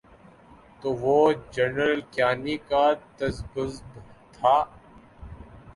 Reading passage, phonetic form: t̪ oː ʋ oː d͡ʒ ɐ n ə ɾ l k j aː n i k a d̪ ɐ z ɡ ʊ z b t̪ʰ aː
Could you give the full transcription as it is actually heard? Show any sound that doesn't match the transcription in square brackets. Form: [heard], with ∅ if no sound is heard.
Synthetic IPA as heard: t̪ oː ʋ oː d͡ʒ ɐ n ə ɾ l k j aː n i k a [t̪] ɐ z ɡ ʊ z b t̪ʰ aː